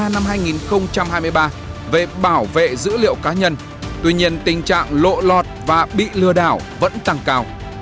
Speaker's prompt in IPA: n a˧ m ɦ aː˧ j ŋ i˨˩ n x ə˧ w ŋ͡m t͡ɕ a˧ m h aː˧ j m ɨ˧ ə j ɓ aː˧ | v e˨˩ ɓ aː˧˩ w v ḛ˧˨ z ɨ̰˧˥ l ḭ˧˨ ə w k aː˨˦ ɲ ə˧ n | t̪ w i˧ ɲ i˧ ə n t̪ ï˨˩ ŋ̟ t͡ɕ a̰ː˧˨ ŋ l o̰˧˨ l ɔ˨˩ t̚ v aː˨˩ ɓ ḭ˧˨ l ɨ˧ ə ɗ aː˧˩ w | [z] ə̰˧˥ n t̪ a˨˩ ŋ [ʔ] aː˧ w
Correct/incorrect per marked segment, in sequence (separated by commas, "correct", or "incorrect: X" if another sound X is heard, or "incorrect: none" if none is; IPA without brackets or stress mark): incorrect: v, incorrect: k